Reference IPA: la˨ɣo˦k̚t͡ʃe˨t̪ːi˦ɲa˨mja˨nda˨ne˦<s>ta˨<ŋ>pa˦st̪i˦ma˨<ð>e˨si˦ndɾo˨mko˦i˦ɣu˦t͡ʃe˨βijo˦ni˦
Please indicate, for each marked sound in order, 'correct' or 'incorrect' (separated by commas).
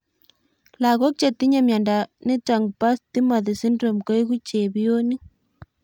incorrect, correct, correct